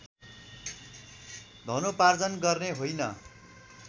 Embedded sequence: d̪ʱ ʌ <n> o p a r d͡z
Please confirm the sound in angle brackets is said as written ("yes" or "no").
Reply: yes